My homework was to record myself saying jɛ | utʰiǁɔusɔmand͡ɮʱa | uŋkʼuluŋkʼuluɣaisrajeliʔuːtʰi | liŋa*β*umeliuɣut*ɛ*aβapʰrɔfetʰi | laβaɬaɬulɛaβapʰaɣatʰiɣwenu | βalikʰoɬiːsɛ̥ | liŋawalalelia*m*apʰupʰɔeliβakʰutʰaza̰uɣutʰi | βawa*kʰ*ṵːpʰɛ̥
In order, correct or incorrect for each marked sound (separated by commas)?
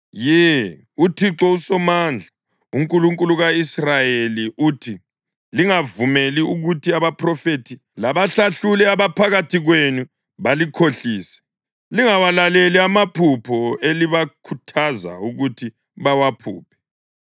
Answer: incorrect, incorrect, correct, incorrect